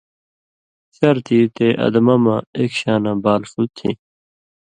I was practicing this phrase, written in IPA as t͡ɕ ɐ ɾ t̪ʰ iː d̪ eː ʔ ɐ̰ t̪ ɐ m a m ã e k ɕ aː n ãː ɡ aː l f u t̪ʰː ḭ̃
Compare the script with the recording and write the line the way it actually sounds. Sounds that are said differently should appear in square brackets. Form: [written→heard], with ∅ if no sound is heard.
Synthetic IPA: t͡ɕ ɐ ɾ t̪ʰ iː [d̪→t̪] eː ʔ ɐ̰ [t̪→d̪] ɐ m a m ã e k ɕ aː n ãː [ɡ→b] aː l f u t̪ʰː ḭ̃